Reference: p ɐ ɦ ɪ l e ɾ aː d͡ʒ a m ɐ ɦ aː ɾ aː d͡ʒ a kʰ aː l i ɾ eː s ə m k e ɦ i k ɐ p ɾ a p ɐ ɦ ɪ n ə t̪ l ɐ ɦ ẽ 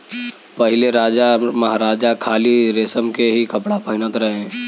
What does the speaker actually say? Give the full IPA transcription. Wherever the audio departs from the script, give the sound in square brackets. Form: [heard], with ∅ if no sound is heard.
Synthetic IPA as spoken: p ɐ ɦ ɪ l e ɾ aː d͡ʒ a m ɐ ɦ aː ɾ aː d͡ʒ a kʰ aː l i ɾ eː s ə m k e ɦ i k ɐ p [ɽ] a p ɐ ɦ ɪ n ə t̪ [ɾ] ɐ ɦ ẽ